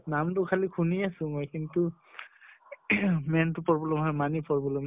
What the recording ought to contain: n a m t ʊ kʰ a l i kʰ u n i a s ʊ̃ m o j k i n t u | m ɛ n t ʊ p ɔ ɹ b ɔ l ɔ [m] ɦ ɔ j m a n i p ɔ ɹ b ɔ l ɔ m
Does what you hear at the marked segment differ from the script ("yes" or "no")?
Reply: no